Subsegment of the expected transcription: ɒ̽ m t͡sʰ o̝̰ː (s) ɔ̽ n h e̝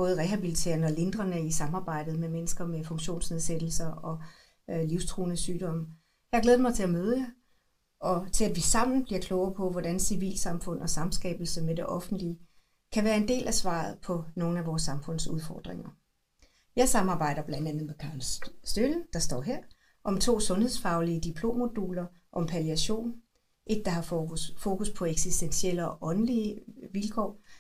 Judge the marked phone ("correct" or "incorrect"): correct